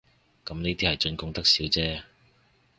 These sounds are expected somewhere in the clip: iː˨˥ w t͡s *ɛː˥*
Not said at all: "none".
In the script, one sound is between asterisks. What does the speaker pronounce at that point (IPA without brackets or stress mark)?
ɛː˥